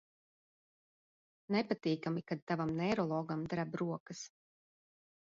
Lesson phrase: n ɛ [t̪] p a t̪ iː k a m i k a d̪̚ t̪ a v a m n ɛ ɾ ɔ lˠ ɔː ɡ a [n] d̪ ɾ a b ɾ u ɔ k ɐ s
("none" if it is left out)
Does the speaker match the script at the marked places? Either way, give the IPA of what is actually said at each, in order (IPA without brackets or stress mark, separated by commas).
none, m